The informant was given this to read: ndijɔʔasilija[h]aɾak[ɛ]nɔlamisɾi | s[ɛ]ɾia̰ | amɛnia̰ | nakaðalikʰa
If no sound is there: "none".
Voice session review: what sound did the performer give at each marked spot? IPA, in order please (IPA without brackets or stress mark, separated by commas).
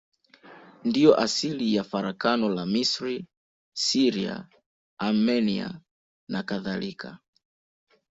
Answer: f, a, i